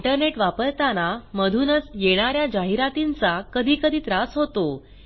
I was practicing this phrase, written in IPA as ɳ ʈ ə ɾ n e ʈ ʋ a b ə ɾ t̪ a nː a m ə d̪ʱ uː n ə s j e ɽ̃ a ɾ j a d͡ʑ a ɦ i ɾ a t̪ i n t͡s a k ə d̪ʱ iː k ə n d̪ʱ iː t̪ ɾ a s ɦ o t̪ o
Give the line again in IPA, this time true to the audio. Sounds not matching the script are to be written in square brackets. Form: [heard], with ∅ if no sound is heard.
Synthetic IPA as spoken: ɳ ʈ ə ɾ n e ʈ ʋ a [p] ə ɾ t̪ a [n] a m ə d̪ʱ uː n ə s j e ɽ̃ a ɾ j a d͡ʑ a ɦ i ɾ a t̪ i n t͡s a k ə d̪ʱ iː k ə [∅] d̪ʱ iː t̪ ɾ a s ɦ o t̪ o